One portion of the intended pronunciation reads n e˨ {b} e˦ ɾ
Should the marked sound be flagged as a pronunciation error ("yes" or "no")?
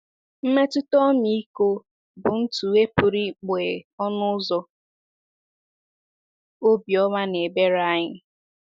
no